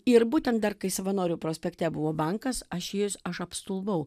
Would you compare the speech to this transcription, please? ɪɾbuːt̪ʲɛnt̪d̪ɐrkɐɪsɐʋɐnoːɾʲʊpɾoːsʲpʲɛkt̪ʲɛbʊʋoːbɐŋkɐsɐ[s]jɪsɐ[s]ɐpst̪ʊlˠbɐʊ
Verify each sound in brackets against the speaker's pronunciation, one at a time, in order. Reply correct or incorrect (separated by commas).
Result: incorrect, incorrect